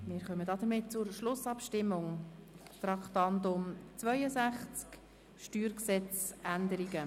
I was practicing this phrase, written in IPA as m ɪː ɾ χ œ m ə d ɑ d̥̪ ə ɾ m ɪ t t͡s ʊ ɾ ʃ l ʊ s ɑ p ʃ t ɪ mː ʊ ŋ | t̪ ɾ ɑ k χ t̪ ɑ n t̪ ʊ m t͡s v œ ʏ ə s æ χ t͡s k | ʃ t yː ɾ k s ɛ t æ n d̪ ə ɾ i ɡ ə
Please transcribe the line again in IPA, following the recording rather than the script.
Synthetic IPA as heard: m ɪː ɾ χ œ m ə d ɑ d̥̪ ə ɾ m ɪ t t͡s ʊ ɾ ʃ l ʊ s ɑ p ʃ t ɪ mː ʊ ŋ | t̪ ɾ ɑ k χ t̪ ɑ n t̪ ʊ m t͡s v œ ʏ ə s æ χ t͡s k | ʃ t yː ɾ k s ɛ t͡s æ n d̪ ə ɾ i ɡ ə